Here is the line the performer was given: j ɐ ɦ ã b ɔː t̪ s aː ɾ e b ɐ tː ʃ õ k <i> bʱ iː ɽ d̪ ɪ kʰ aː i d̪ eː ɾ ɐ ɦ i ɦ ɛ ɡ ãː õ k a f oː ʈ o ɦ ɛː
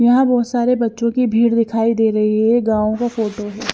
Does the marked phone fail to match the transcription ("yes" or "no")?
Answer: no